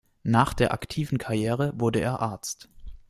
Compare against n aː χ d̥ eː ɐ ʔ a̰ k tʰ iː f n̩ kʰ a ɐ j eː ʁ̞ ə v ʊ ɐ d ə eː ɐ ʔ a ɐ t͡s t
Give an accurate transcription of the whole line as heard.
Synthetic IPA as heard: n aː χ d̥ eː ɐ ʔ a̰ k tʰ iː v n̩ kʰ a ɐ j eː ʁ̞ ə v ʊ ɐ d ə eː ɐ ʔ a ɐ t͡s t